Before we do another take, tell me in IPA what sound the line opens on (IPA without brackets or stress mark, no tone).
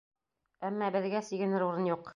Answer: æ